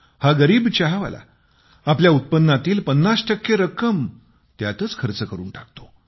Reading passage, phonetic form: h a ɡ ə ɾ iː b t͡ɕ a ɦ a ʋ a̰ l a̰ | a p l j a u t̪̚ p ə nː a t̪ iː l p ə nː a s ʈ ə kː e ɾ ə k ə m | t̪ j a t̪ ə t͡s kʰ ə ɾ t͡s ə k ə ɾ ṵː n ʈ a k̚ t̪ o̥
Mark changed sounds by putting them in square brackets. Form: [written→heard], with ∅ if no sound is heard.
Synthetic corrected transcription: h a ɡ ə ɾ iː b t͡ɕ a ɦ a ʋ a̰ l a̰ | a p l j a u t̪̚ p ə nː a t̪ iː l p ə nː a s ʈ ə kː e ɾ ə k ə m | t̪ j a t̪ ə t͡s kʰ ə ɾ t͡s ə k ə ɾ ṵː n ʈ a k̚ t̪ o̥